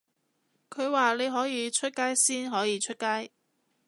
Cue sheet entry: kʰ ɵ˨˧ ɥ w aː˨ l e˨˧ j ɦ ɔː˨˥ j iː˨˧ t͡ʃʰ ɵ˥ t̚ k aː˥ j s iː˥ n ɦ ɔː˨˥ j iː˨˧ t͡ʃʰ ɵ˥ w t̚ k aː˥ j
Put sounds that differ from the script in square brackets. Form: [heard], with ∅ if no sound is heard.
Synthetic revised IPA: kʰ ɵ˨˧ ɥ w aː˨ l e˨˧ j ɦ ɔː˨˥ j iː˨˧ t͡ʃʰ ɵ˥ t̚ k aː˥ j s iː˥ n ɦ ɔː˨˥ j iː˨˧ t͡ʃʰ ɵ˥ [∅] t̚ k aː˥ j